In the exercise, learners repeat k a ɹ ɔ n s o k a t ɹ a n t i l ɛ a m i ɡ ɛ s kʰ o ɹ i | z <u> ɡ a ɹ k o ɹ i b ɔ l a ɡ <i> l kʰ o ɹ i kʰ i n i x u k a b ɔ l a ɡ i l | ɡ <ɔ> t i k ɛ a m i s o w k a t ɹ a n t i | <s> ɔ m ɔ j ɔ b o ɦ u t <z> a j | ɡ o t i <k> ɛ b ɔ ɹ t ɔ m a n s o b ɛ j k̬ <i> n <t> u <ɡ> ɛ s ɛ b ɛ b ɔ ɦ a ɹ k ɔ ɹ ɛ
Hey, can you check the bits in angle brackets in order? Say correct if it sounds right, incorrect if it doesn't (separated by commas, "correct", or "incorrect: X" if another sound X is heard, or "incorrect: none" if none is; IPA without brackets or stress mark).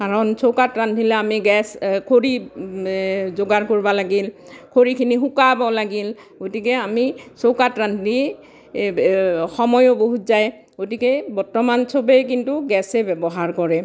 incorrect: o, correct, incorrect: o, incorrect: x, correct, correct, correct, correct, correct